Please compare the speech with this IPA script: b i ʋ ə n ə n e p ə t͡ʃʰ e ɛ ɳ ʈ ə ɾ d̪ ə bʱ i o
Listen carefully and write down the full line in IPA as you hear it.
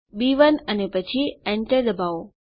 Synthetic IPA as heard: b i ʋ ə n ə n e p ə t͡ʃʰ i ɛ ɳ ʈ ə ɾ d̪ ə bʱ a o